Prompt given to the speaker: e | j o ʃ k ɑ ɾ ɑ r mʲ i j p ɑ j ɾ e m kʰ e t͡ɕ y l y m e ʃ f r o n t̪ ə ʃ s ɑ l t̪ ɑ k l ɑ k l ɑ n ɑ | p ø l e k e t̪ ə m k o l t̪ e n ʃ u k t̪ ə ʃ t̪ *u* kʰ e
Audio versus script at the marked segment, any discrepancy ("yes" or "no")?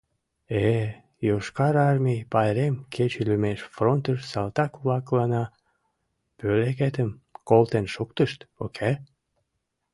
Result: yes